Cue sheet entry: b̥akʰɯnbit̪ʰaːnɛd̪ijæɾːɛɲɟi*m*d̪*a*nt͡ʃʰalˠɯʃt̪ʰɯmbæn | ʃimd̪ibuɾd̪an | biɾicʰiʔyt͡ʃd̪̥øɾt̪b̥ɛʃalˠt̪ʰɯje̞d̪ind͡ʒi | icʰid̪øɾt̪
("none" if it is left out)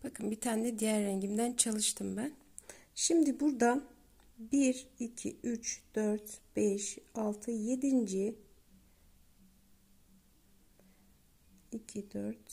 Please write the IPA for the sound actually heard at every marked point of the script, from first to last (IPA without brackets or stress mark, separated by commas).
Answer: m, æ